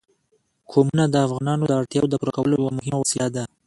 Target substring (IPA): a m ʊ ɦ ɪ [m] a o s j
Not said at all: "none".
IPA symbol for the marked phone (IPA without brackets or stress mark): m